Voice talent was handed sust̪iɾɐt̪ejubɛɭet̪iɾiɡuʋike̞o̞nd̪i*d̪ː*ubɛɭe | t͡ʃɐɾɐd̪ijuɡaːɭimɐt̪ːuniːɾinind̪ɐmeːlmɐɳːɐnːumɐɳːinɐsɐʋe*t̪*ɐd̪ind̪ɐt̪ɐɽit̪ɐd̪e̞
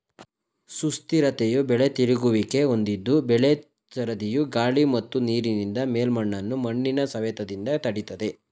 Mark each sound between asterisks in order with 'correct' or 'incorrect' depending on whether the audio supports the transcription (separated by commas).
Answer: correct, correct